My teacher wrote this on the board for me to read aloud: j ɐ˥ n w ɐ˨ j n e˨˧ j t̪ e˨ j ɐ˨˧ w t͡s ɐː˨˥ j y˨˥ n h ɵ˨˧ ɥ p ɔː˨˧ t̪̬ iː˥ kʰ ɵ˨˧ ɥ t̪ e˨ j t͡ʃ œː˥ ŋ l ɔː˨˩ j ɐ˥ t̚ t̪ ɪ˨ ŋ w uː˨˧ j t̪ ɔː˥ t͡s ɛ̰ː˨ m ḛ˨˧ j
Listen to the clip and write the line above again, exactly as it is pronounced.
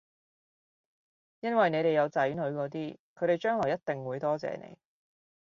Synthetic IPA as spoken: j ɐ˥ n w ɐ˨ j n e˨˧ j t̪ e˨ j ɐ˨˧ w t͡s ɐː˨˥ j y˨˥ n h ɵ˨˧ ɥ k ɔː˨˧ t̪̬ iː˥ kʰ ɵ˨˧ ɥ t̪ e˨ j t͡ʃ œː˥ ŋ l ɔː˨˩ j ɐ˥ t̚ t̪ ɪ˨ ŋ w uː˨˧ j t̪ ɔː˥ t͡s ɛ̰ː˨ n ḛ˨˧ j